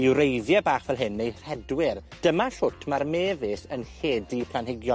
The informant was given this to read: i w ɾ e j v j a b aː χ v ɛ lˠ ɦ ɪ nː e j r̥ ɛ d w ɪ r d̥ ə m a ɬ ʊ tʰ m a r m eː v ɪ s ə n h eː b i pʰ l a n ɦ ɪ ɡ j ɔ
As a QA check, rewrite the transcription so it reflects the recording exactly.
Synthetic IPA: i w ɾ e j ð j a b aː χ v ɛ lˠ ɦ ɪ nː e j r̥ ɛ d w ɪ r d̥ ə m a ɬ ʊ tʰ m a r m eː v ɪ s ə n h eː d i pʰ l a n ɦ ɪ ɡ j ɔ